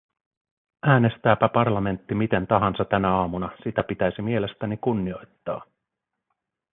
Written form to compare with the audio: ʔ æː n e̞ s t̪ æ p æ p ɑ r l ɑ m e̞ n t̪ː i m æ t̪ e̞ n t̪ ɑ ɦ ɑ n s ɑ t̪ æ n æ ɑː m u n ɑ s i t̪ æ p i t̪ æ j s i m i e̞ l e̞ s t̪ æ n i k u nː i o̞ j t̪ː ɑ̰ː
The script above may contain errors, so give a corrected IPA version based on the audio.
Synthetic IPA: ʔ æː n e̞ s t̪ æː p æ p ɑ r l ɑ m e̞ n t̪ː i m i t̪ e̞ n t̪ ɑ ɦ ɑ n s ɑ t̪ æ n æ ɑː m u n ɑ s i t̪ æ p i t̪ æ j s i m i e̞ l e̞ s t̪ æ n i k u nː i o̞ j t̪ː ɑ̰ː